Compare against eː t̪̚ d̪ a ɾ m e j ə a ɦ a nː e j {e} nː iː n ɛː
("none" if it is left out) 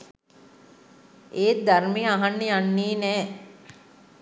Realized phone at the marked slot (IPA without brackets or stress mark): a